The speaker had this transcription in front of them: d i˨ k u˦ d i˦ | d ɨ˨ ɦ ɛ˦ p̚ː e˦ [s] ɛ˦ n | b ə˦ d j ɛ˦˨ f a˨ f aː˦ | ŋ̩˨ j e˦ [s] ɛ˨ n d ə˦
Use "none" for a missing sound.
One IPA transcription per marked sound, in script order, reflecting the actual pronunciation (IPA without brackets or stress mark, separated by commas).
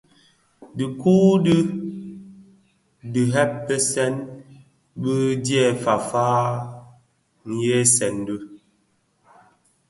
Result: s, s